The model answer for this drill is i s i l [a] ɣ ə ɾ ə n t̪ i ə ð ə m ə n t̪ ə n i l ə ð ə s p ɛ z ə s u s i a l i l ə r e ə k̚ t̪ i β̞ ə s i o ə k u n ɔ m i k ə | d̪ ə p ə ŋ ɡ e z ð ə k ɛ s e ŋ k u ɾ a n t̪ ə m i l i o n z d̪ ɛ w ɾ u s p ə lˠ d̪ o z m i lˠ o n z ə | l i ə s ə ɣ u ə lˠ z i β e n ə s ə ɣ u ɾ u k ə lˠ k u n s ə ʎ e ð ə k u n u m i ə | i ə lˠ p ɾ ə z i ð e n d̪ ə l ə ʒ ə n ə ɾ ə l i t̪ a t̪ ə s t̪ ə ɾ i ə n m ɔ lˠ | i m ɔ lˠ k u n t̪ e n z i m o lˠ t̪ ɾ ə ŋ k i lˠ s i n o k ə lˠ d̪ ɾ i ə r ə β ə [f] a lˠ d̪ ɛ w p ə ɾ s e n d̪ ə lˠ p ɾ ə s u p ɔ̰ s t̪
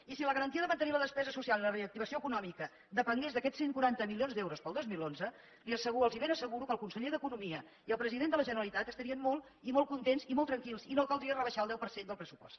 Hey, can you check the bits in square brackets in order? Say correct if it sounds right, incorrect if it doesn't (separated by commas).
incorrect, incorrect